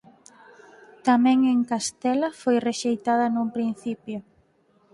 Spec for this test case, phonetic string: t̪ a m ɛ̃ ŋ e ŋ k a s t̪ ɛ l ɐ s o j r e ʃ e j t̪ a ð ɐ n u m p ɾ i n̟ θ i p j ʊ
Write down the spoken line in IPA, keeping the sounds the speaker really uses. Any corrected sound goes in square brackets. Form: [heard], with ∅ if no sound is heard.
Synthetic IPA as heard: t̪ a m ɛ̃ ŋ e ŋ k a s t̪ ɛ l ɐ [f] o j r e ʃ e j t̪ a ð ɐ n u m p ɾ i n̟ θ i p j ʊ